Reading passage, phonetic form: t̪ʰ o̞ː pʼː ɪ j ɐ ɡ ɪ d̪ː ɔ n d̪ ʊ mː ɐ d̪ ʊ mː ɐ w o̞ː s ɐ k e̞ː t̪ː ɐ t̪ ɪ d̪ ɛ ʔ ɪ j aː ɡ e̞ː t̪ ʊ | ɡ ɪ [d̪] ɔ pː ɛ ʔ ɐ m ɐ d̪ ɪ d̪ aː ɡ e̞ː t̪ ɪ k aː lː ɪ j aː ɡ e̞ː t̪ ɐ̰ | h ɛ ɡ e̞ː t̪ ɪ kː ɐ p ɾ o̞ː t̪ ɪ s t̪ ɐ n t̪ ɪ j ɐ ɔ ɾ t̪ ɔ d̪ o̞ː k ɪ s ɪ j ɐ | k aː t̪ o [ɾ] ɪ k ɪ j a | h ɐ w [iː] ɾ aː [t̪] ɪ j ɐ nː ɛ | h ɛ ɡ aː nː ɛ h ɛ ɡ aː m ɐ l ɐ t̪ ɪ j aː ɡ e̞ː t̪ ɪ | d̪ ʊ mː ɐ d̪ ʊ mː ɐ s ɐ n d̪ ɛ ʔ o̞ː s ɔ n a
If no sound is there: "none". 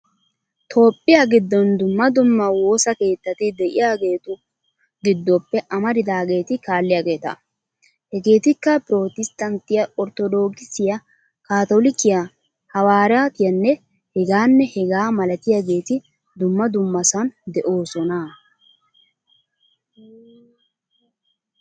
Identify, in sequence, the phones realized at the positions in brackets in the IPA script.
d̪ː, l, aː, t̪

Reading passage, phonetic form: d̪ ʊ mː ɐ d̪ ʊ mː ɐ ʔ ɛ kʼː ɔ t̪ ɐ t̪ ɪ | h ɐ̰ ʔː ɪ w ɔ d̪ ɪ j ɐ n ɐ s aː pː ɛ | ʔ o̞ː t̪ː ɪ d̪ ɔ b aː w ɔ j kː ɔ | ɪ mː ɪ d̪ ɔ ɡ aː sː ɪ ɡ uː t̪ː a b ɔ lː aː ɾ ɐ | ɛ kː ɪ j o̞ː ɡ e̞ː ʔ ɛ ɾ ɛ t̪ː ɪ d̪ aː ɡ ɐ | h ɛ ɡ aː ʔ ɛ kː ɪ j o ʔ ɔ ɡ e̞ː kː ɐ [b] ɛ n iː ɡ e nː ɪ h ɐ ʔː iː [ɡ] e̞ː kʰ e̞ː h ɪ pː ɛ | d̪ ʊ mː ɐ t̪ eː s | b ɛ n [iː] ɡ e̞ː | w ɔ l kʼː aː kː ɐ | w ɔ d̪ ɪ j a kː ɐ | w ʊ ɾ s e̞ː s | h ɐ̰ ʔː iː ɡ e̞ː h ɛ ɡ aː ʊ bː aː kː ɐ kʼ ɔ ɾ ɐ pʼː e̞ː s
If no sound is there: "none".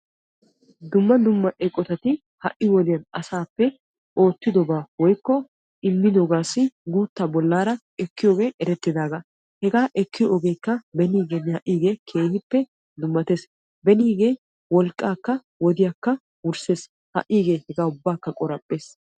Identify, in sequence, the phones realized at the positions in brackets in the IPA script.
b, ɡ, iː

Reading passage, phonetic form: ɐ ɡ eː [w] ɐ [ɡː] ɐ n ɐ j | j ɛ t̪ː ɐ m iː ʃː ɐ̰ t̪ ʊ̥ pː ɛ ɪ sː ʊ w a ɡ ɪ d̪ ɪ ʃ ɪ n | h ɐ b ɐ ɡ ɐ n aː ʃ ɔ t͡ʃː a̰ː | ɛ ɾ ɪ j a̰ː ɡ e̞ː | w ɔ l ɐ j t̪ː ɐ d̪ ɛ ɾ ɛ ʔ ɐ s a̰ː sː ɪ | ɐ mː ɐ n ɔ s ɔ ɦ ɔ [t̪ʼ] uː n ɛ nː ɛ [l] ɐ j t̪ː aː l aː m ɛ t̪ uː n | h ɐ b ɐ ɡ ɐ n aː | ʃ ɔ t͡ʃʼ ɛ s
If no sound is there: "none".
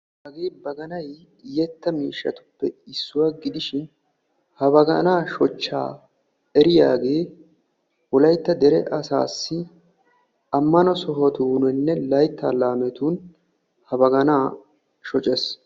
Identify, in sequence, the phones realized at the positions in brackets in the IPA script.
b, ɡ, t̪, l

